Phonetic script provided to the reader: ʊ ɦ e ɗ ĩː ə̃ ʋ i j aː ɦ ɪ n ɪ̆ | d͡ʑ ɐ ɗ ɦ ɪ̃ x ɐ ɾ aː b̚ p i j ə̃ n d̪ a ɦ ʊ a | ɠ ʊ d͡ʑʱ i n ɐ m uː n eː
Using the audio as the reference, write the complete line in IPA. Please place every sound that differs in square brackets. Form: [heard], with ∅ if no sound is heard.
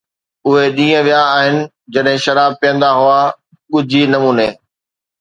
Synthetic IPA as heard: ʊ ɦ e ɗ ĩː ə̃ ʋ i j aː ɦ ɪ n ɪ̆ | d͡ʑ ɐ ɗ ɦ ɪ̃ [ʃ] ɐ ɾ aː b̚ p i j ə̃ n d̪ a ɦ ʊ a | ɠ ʊ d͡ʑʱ i n ɐ m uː n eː